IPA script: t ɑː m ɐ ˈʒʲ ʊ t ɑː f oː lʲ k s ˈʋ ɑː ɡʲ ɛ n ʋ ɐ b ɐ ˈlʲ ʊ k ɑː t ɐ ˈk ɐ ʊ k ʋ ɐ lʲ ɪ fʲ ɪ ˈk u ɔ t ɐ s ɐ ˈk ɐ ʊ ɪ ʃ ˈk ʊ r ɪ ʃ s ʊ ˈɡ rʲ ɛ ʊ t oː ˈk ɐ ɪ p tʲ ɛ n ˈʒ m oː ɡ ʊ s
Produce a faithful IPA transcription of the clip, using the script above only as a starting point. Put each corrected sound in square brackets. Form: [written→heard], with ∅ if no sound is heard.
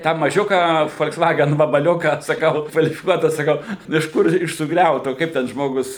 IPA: t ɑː m ɐ ˈʒʲ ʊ [t→k] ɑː f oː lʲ k s ˈʋ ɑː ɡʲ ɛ n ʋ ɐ b ɐ ˈlʲ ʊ k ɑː [t→s] ɐ ˈk ɐ ʊ k ʋ ɐ lʲ ɪ fʲ ɪ ˈk u ɔ t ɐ s ɐ ˈk ɐ ʊ ɪ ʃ ˈk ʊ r ɪ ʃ s ʊ ˈɡ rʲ ɛ ʊ t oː ˈk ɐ ɪ p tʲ ɛ n ˈʒ m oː ɡ ʊ s

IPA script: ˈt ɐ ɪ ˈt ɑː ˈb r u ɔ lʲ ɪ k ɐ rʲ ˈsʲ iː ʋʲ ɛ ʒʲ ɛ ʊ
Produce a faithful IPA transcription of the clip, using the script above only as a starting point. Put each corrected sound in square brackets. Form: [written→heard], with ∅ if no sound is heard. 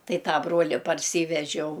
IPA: ˈt ɐ ɪ ˈt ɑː ˈb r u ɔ lʲ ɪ [k→p] ɐ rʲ ˈsʲ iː ʋʲ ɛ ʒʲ ɛ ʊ

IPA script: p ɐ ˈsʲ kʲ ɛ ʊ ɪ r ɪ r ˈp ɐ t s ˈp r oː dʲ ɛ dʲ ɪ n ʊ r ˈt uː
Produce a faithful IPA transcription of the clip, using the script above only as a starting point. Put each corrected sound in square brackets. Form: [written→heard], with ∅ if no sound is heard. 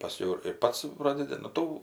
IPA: p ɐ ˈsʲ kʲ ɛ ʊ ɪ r ɪ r ˈp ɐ t s ˈp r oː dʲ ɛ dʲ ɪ n ʊ [r→∅] ˈt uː

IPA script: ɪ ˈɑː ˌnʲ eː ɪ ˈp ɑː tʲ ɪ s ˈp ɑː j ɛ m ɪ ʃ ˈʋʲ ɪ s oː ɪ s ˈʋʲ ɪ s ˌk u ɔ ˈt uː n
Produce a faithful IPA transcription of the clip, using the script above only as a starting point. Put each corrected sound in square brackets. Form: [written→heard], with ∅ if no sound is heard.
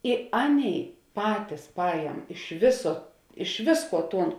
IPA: ɪ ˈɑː ˌnʲ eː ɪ ˈp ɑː tʲ ɪ s ˈp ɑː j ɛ m ɪ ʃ ˈʋʲ ɪ s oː ɪ [s→ʃ] ˈʋʲ ɪ s ˌk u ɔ ˈt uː n

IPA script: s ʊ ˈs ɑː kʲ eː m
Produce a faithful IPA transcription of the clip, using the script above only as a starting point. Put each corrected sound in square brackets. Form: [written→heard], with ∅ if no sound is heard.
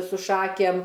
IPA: s ʊ [ˈs→ˈʃ] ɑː kʲ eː m

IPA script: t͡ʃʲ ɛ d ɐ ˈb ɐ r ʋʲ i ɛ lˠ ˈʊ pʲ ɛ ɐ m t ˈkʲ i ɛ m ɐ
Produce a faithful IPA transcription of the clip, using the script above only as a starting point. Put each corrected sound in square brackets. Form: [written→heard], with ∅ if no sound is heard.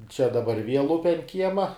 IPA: t͡ʃʲ ɛ d ɐ ˈb ɐ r ʋʲ i ɛ lˠ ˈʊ pʲ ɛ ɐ [m→n] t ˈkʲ i ɛ m ɐ

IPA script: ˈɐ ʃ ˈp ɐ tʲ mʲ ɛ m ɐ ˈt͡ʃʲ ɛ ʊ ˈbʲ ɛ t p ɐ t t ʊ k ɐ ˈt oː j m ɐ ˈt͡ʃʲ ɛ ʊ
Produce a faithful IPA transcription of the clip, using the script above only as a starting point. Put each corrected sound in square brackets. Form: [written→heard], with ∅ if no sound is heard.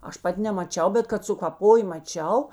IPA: ˈɐ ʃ ˈp ɐ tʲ [mʲ→nʲ] ɛ m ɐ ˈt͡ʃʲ ɛ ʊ ˈbʲ ɛ t [p→k] ɐ t [t→s] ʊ k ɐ [ˈt→ˈp] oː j m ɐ ˈt͡ʃʲ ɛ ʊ

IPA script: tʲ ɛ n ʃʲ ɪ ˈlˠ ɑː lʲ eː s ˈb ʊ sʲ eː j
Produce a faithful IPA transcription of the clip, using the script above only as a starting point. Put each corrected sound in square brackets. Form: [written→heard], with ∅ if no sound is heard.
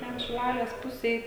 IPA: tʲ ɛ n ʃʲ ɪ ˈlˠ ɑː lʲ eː s [ˈb→ˈp] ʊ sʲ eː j

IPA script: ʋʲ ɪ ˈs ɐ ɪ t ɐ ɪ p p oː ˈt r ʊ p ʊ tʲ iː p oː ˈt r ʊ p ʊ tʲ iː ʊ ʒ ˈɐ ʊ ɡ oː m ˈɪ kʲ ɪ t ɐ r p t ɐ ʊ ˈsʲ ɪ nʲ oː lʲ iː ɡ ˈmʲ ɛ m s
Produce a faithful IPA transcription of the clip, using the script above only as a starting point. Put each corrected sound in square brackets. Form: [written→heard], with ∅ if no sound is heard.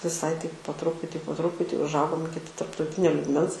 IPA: ʋʲ ɪ ˈs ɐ ɪ t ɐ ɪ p p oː ˈt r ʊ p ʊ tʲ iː p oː ˈt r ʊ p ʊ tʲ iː ʊ ʒ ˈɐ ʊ ɡ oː m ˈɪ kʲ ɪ t ɐ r p t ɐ ʊ [ˈsʲ→ˈtʲ] ɪ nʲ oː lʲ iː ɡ ˈmʲ ɛ [m→n] s

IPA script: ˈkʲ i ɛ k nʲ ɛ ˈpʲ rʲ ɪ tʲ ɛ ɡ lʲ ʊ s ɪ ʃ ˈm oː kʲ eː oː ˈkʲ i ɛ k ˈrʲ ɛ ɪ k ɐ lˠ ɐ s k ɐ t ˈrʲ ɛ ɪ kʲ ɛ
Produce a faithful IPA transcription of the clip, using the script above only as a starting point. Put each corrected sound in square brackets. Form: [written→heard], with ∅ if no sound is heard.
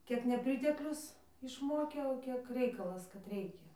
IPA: ˈkʲ i ɛ k nʲ ɛ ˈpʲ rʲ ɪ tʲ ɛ [ɡ→k] lʲ ʊ s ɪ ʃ ˈm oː kʲ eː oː ˈkʲ i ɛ k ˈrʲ ɛ ɪ k ɐ lˠ ɐ s k ɐ t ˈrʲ ɛ ɪ kʲ ɛ

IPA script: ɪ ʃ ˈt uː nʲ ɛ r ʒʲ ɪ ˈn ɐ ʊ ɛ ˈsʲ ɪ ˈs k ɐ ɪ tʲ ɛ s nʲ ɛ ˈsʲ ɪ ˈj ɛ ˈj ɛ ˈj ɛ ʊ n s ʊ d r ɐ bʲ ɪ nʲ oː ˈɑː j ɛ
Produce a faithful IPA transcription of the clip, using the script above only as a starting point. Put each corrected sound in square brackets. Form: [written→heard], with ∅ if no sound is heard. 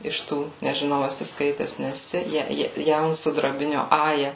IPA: ɪ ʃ ˈt uː nʲ ɛ [r→∅] ʒʲ ɪ ˈn ɐ ʊ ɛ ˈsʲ ɪ ˈs k ɐ ɪ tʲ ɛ s nʲ ɛ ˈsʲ ɪ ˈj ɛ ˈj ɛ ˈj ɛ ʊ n s ʊ d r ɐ bʲ ɪ nʲ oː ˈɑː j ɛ

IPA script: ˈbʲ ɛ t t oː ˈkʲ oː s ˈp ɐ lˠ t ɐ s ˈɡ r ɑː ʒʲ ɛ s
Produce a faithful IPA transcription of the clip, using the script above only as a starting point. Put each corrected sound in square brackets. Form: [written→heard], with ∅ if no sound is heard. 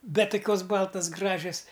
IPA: ˈbʲ ɛ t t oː ˈkʲ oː s [ˈp→ˈb] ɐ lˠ t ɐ s ˈɡ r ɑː ʒʲ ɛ s

